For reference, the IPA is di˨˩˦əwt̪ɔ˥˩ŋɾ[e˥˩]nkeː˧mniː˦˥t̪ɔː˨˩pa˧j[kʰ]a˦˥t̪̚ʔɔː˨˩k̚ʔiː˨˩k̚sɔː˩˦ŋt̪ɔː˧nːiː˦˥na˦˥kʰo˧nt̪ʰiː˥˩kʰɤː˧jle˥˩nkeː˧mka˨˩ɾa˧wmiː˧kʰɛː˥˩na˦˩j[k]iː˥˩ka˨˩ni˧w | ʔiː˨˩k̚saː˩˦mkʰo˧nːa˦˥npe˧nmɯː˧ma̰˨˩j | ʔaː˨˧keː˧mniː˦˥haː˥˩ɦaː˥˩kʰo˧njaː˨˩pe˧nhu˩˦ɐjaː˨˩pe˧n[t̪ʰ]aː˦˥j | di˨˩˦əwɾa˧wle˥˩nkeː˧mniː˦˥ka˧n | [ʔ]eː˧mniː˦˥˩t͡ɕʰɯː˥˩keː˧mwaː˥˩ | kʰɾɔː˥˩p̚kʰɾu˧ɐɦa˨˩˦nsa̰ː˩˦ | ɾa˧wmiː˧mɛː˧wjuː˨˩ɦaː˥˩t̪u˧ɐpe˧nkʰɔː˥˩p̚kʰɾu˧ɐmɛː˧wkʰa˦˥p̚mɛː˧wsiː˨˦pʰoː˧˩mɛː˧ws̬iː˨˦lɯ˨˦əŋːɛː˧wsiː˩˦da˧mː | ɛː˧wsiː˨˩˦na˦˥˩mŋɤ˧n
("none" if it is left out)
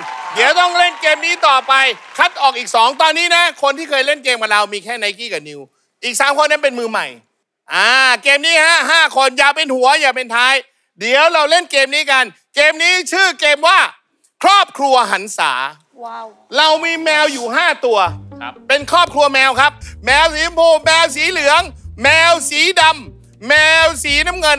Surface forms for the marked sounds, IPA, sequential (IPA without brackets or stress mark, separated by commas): e˥˩, kʰ, k, t̪ʰ, k